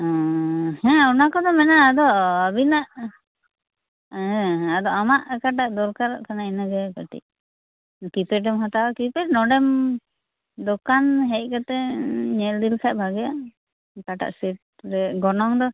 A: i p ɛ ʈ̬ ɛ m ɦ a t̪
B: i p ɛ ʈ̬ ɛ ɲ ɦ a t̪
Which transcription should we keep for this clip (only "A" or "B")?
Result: A